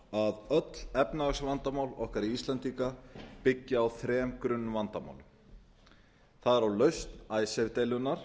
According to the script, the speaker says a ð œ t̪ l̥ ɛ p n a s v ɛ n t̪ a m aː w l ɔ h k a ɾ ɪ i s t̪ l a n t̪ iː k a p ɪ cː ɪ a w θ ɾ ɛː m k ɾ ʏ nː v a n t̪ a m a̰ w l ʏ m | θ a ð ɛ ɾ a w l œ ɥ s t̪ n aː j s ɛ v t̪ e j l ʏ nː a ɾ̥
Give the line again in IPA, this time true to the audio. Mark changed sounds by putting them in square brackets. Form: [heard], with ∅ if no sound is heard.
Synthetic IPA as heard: a ð œ t̪ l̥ ɛ p n a s v [a] n t̪ a m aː w l ɔ h k a ɾ [i] i s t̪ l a n t̪ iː k a p ɪ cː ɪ a w θ ɾ ɛː m k ɾ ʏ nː v a n t̪ a m a̰ w l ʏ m | θ a ð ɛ ɾ a w l œ ɥ s t̪ n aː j s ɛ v t̪ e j l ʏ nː a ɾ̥